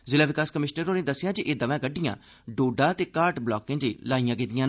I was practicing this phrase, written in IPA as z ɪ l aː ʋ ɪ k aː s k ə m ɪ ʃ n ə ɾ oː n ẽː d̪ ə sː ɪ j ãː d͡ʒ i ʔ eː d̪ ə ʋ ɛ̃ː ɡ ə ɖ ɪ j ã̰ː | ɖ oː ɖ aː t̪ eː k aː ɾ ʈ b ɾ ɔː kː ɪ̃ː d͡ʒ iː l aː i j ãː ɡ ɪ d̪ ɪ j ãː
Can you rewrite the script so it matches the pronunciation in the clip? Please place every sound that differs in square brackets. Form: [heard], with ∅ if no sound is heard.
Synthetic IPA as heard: z ɪ l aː ʋ ɪ k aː s k ə m ɪ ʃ n ə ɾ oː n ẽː d̪ ə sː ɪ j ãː d͡ʒ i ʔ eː d̪ ə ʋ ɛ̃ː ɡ ə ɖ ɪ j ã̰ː | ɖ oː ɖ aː t̪ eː k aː ɾ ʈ b [l] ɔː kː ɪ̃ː d͡ʒ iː l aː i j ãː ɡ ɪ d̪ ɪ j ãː